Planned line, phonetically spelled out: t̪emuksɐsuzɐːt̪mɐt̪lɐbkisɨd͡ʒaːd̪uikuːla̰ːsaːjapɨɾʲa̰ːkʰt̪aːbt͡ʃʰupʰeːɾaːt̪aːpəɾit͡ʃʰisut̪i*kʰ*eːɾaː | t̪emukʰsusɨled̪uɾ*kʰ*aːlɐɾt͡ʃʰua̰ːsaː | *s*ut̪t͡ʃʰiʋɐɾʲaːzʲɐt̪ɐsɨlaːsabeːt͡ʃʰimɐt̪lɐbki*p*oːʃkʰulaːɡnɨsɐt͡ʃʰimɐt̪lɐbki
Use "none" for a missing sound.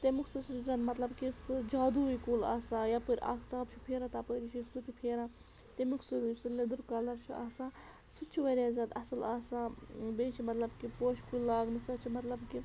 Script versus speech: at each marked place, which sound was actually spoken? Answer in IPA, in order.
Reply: pʰ, k, s, p

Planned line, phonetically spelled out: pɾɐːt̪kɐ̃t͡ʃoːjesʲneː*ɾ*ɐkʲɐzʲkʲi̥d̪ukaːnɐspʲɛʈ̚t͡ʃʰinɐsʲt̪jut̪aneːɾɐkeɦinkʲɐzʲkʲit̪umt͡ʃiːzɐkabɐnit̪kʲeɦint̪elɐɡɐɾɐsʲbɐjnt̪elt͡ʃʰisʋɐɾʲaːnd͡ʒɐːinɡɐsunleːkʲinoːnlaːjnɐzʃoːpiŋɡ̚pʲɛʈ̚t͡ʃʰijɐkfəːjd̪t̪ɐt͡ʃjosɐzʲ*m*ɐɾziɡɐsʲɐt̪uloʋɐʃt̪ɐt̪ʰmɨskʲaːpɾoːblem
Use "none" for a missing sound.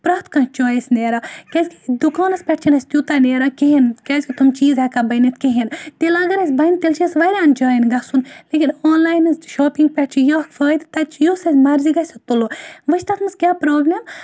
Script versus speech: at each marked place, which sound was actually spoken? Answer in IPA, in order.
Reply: ɾ, m

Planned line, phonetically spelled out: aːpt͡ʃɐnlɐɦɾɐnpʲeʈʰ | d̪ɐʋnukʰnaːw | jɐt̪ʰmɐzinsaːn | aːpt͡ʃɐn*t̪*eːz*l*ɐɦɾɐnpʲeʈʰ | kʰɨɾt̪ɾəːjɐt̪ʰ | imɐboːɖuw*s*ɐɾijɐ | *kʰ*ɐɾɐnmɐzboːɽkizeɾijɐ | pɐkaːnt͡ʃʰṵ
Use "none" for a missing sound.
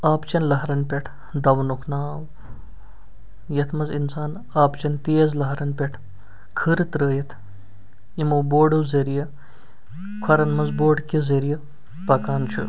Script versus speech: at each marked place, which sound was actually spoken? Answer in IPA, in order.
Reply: t̪, l, z, kʰ

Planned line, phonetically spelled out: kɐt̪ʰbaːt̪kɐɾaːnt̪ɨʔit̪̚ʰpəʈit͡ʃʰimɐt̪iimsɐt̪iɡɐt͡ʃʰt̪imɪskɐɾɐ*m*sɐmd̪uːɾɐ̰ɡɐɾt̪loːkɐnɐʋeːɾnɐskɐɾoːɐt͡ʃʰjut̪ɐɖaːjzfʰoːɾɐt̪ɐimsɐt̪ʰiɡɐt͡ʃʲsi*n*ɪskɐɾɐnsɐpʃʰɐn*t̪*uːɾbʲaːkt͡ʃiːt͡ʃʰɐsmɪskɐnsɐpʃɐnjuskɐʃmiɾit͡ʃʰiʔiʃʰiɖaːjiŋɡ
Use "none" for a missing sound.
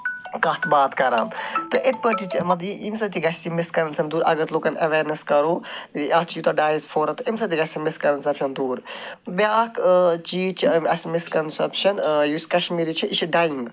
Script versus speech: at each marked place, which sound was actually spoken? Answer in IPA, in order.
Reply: n, m, d̪

